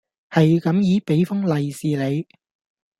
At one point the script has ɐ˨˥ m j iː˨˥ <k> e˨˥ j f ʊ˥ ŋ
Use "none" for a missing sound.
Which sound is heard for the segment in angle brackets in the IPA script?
p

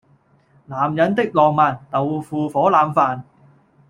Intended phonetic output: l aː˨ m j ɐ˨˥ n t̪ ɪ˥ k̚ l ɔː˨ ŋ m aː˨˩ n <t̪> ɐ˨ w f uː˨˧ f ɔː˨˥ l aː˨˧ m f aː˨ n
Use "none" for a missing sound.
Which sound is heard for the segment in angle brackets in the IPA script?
t̪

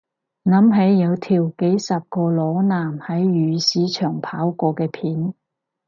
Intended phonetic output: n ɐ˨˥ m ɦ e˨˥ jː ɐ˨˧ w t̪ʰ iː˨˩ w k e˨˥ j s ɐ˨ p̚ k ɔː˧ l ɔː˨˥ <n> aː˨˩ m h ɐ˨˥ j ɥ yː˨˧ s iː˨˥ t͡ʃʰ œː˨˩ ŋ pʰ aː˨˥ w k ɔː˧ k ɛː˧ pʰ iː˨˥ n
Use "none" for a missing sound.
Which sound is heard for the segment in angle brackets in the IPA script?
n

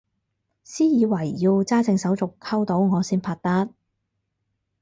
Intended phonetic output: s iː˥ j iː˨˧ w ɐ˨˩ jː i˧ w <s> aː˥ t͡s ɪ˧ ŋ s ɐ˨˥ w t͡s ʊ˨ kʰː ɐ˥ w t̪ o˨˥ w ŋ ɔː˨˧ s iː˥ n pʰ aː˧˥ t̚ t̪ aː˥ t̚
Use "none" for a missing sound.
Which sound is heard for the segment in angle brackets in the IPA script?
t͡s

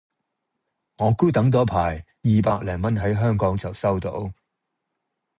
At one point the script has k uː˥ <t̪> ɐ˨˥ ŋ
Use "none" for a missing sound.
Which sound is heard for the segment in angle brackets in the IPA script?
t̪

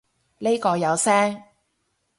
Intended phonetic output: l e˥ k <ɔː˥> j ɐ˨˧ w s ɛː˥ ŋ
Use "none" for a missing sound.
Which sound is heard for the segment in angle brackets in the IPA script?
ɔː˧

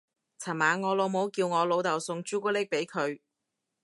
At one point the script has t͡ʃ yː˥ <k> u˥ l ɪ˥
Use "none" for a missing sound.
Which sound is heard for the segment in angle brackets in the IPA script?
k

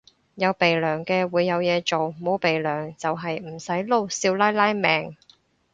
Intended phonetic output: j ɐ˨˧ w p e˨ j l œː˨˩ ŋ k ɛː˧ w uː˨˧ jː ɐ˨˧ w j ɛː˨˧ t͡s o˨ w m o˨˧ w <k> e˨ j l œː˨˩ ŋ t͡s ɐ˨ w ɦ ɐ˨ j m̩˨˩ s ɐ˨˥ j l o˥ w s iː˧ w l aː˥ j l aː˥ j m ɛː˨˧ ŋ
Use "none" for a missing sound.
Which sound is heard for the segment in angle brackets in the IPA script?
p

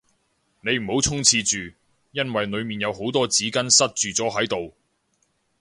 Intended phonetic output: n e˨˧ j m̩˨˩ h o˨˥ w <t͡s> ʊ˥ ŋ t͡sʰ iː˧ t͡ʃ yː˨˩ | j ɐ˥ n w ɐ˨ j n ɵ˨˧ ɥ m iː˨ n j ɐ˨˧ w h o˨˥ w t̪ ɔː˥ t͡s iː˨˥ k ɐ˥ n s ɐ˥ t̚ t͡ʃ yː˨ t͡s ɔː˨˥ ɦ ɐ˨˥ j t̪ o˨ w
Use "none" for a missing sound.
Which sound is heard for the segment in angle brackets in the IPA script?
t͡sʰ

